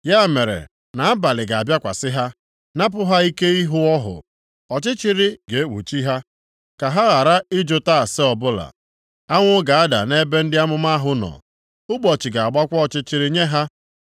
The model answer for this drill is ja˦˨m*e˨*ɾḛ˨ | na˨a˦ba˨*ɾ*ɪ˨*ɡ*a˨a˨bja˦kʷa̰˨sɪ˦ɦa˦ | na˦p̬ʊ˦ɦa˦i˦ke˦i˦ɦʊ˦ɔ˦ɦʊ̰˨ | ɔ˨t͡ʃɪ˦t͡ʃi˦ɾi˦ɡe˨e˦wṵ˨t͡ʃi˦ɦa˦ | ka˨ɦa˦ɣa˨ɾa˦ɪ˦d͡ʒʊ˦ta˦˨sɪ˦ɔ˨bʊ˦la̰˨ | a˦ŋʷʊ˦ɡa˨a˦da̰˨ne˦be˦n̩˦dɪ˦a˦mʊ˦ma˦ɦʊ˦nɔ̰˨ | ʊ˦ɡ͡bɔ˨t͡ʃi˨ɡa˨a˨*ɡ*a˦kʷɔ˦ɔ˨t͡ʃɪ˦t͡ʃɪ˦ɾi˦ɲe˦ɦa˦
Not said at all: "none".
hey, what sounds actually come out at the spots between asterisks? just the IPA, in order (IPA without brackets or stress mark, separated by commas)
e˨, l, ɡ, ɡ͡b